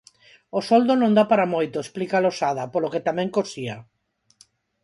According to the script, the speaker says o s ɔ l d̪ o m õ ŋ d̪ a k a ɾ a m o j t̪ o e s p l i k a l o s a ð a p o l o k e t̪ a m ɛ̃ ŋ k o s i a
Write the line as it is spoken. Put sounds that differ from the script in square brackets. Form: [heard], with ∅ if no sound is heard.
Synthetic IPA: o s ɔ l d̪ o [n] õ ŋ d̪ a [p] a ɾ a m o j t̪ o e s p l i k a l o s a ð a p o l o k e t̪ a m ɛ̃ ŋ k o s i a

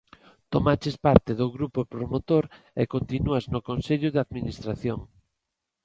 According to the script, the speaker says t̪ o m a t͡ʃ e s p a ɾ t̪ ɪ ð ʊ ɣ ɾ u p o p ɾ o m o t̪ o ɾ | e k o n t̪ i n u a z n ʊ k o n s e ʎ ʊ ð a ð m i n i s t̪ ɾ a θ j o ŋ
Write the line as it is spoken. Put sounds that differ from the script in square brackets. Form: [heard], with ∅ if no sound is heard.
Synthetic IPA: t̪ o m a t͡ʃ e s p a ɾ t̪ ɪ ð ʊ ɣ ɾ u p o p ɾ o m o t̪ o ɾ | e k o n t̪ i n u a z n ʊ k o n s e ʎ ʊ ð a ð m i n i s t̪ ɾ a θ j o ŋ

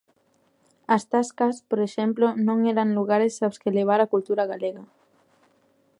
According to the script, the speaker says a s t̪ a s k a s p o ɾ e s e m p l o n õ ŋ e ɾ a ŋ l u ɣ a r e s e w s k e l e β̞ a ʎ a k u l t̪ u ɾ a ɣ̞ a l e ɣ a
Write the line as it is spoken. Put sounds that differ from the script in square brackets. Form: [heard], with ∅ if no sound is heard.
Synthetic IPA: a s t̪ a s k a s p o ɾ e [ʃ] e m p l o n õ ŋ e ɾ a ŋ l u ɣ a [ɾ] e s [a] w s k e l e β̞ a [ɾ] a k u l t̪ u ɾ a ɣ̞ a l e ɣ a

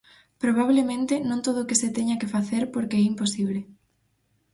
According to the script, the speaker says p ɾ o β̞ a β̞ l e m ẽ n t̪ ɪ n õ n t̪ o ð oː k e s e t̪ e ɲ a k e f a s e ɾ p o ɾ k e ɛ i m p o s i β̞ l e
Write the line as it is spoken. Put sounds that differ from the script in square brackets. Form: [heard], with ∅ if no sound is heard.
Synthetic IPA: p ɾ o β̞ a β̞ l e m ẽ n t̪ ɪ n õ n t̪ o ð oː k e s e t̪ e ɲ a k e f a [θ] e ɾ p o ɾ k e ɛ i m p o s i β̞ l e

